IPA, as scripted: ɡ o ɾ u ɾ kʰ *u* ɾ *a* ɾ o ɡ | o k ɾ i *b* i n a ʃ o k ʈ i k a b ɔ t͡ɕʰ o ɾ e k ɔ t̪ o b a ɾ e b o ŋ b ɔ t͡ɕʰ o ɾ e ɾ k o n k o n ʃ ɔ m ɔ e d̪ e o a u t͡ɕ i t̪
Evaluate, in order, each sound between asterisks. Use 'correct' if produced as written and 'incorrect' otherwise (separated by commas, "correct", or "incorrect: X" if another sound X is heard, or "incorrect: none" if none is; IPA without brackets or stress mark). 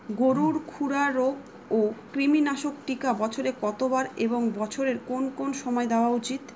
correct, correct, incorrect: m